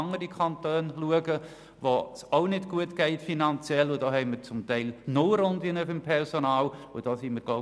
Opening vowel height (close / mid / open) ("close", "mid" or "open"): mid